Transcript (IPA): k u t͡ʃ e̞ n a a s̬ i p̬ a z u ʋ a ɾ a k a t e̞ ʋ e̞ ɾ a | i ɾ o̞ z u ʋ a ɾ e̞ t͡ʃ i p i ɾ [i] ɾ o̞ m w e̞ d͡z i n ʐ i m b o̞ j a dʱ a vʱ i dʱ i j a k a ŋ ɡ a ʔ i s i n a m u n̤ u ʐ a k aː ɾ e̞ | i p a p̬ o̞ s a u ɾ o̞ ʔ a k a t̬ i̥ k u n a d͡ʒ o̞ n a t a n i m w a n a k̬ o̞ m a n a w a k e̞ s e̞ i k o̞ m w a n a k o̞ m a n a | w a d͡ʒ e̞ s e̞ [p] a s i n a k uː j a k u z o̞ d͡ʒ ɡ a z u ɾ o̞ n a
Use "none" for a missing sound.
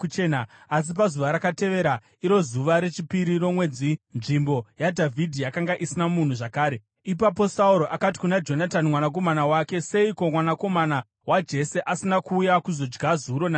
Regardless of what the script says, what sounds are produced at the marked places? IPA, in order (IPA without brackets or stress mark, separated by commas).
i, ʔ